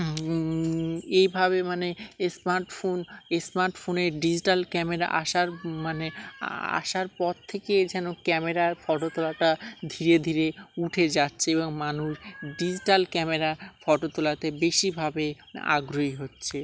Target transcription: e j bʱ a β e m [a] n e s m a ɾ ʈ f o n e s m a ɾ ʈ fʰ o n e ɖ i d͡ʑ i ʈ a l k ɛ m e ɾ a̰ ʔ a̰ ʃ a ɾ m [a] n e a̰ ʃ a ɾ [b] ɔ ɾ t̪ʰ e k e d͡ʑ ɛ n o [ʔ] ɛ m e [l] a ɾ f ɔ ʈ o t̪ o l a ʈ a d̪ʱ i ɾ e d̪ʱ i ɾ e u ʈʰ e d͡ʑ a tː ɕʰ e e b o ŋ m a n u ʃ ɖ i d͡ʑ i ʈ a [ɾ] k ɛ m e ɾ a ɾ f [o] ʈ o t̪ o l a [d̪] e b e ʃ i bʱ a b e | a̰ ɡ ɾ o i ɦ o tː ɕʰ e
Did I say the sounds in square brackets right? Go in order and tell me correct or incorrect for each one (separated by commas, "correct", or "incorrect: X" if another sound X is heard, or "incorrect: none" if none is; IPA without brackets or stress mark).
correct, correct, incorrect: p, incorrect: k, incorrect: ɾ, incorrect: l, incorrect: ɔ, incorrect: t̪